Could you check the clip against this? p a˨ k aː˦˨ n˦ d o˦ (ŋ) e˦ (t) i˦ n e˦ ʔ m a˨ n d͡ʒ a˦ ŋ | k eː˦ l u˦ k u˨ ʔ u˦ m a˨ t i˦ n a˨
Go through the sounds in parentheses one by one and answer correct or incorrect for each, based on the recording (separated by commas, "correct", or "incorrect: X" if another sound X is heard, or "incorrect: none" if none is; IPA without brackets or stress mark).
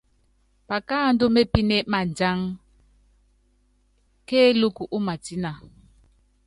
incorrect: m, incorrect: p